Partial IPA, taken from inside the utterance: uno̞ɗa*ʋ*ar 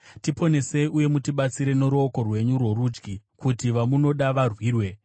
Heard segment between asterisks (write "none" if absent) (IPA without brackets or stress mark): ʋ